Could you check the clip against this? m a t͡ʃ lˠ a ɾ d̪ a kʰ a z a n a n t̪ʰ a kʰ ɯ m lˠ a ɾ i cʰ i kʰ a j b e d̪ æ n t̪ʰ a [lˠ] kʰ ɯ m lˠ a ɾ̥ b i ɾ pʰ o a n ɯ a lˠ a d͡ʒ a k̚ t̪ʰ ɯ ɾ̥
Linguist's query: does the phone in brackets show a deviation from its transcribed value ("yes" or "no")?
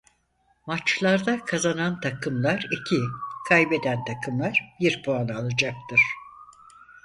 yes